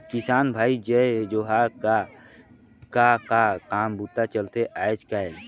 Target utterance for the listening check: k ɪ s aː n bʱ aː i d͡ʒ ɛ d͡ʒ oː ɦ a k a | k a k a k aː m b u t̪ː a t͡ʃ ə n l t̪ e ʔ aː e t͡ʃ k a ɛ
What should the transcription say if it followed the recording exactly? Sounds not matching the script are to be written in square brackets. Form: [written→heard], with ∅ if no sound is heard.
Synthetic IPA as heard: k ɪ s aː n bʱ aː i d͡ʒ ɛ d͡ʒ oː ɦ a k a | k a k a k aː m b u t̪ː a t͡ʃ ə [n→∅] l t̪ e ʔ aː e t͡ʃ k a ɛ